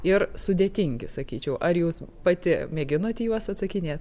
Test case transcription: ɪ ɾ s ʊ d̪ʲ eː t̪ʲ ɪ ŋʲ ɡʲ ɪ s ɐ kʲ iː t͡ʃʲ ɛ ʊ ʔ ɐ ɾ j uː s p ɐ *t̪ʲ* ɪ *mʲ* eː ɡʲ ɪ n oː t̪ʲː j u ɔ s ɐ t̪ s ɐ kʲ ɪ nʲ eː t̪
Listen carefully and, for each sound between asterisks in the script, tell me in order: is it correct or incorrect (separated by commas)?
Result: correct, correct